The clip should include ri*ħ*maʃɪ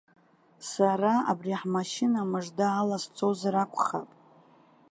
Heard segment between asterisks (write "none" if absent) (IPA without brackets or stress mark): ħ